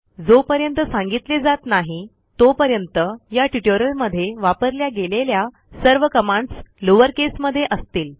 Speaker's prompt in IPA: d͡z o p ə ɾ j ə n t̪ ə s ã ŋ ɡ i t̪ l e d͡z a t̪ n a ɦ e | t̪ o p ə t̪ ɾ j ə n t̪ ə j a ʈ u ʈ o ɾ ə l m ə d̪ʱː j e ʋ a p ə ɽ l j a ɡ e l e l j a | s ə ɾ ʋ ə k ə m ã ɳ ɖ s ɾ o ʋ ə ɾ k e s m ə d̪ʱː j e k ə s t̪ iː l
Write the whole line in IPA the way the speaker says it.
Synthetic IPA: d͡z o p ə ɾ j ə n t̪ ə s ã ŋ ɡ i t̪ l e d͡z a t̪ n a ɦ i | t̪ o p ə ɾ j ə n t̪ ə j a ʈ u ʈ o ɾ ə l m ə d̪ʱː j e ʋ a p ə ɾ l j a ɡ e l e l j a | s ə ɾ ʋ ə k ə m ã ɳ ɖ s l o ʋ ə ɾ k e s m ə d̪ʱː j e ʔ ə s t̪ iː l